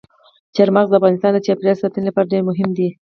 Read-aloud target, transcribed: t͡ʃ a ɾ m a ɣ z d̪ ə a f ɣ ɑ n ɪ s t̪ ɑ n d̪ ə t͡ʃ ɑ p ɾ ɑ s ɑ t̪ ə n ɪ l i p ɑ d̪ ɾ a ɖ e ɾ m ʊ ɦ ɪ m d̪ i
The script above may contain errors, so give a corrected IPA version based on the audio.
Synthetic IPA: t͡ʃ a ɾ m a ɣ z d̪ ə a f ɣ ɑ n ɪ s t̪ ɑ n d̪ ə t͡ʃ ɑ p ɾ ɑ s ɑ t̪ ə n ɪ l a p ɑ ɾ a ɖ e ɾ m ʊ ɦ ɪ m d̪ i